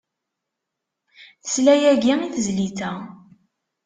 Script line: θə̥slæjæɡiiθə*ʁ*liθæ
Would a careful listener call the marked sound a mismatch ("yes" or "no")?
yes